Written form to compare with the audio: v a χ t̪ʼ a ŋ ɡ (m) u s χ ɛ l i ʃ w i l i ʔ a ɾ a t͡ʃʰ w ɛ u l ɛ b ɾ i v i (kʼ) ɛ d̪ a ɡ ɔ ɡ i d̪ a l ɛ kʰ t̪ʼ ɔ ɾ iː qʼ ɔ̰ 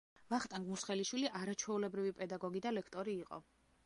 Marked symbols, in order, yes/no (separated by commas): yes, no